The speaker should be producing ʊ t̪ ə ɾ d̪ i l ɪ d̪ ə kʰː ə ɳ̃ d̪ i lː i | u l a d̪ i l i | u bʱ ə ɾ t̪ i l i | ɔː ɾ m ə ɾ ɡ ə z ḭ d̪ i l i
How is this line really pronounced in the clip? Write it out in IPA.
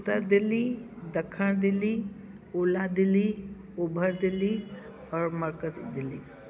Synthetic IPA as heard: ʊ t̪ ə ɾ d̪ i l i d̪ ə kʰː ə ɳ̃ d̪ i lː i | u l a d̪ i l i | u bʱ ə ɾ d̪ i l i | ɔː ɾ m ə ɾ k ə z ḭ d̪ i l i